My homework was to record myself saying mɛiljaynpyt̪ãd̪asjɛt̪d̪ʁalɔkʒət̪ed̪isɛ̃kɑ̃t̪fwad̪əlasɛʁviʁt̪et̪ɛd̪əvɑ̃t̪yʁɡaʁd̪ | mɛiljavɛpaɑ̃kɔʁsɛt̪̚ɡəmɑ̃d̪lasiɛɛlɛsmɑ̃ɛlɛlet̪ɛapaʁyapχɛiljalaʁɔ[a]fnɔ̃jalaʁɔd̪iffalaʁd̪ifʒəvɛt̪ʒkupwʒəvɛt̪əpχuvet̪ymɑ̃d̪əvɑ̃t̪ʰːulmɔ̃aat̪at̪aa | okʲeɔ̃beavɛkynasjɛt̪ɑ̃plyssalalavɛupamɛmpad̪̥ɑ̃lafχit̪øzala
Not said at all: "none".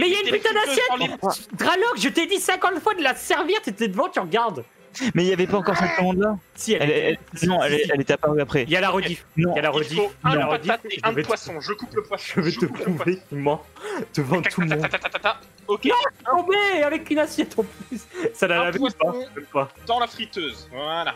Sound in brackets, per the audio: i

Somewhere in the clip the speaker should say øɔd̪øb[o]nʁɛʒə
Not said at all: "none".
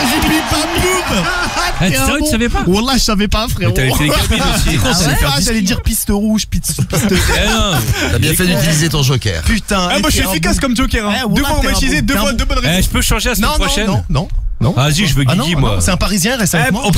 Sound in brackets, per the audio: ɔ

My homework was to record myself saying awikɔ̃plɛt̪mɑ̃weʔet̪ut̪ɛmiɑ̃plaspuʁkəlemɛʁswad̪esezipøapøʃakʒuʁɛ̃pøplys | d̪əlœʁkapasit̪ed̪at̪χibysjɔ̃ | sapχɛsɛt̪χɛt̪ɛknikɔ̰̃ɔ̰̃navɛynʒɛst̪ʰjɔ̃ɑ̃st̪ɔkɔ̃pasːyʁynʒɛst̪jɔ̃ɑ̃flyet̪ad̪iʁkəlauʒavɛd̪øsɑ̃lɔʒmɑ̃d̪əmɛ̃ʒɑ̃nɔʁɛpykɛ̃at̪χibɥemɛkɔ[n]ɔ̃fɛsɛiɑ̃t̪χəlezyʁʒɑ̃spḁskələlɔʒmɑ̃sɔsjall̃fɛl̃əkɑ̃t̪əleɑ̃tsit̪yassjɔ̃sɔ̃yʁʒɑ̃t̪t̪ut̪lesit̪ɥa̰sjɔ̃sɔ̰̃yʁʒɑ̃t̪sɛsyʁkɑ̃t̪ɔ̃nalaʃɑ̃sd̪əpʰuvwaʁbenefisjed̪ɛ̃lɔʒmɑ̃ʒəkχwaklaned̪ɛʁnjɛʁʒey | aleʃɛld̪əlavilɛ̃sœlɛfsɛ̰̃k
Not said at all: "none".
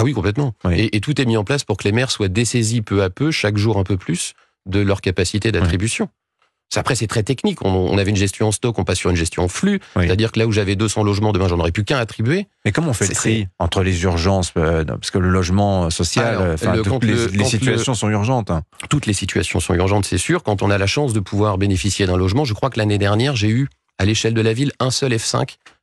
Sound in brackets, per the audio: m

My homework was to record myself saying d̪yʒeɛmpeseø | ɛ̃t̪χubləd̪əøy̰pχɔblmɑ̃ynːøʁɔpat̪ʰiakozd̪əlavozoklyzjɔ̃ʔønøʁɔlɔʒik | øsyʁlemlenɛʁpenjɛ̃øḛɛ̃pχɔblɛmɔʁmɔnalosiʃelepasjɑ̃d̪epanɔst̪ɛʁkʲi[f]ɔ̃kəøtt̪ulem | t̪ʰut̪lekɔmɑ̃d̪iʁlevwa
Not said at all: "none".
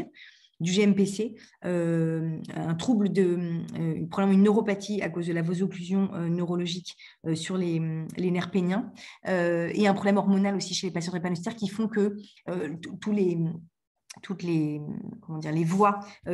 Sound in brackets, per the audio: f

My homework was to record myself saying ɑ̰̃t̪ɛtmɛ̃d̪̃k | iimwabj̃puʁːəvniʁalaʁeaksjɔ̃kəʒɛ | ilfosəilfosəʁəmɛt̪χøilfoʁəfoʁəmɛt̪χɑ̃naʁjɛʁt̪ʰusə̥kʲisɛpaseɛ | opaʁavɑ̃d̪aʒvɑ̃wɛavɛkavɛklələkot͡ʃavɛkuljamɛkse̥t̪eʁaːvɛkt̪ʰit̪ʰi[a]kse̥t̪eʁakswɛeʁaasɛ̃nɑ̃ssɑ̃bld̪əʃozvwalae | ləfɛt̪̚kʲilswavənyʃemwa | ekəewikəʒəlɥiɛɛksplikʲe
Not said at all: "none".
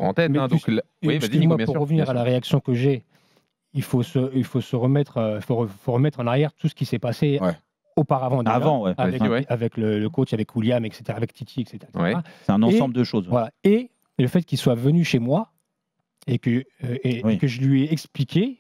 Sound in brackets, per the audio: ɛ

